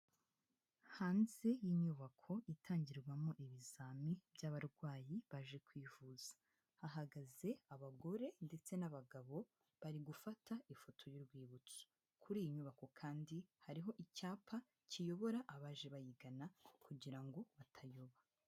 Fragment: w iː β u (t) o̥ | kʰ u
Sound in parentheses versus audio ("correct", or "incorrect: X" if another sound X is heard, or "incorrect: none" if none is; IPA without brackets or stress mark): incorrect: t͡s